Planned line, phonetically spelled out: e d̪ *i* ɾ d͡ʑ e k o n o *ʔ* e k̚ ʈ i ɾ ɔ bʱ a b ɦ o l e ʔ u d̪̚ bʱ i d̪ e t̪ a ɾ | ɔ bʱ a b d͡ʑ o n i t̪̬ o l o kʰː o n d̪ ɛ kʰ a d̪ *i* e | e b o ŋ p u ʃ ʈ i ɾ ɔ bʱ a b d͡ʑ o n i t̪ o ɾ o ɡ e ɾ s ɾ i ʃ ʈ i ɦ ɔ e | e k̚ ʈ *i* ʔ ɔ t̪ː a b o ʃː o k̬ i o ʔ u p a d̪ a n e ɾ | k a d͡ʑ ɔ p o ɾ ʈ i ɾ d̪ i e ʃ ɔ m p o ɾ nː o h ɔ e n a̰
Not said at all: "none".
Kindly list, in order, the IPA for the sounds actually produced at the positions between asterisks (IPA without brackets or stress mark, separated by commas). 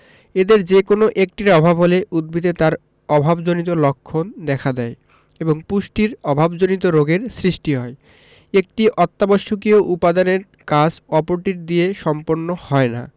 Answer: e, ʔ, ɛ, i